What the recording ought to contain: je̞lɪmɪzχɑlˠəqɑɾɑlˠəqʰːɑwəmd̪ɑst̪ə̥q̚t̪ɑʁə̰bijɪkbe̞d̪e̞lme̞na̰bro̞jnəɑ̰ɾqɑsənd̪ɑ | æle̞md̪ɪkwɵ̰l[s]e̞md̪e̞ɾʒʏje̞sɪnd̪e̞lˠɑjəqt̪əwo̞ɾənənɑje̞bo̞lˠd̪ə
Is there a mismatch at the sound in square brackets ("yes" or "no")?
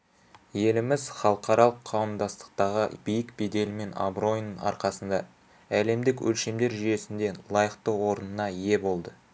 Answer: yes